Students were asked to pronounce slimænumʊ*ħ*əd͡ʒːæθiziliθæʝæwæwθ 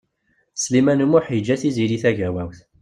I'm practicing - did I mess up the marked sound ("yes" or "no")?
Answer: no